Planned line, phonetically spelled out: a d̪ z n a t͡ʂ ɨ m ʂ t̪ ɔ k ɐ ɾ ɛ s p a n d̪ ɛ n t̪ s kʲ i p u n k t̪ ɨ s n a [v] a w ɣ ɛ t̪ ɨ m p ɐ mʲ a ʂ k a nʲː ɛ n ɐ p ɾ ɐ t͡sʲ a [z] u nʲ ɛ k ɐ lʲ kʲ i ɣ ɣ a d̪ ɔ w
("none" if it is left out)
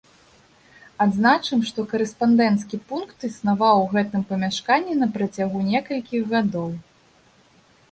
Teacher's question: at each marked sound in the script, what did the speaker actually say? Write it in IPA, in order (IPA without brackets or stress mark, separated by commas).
v, ɣ